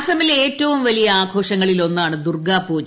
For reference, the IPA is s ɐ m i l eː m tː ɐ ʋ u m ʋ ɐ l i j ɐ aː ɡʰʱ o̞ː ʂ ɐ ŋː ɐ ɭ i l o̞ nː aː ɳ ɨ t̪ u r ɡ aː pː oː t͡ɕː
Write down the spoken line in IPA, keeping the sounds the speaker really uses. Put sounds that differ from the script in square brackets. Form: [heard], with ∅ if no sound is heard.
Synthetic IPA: s ɐ m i l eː [∅] tː ɐ ʋ u m ʋ ɐ l i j ɐ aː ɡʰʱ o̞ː ʂ ɐ ŋː ɐ ɭ i l o̞ nː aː ɳ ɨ [d̪] u r ɡ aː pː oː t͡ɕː